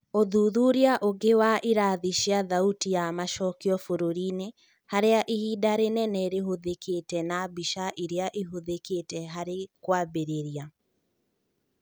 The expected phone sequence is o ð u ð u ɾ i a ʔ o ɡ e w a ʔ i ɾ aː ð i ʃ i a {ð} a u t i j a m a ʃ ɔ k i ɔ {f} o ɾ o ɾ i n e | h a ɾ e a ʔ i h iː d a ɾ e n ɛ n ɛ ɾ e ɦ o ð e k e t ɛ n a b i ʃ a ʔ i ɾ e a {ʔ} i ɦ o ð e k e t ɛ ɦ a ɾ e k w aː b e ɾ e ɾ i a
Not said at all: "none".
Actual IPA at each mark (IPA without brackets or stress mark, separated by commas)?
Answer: ð, f, ʔ